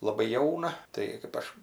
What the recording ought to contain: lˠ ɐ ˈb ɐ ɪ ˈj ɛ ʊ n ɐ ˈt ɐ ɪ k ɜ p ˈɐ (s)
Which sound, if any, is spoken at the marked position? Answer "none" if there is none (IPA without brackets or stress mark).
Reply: ʃ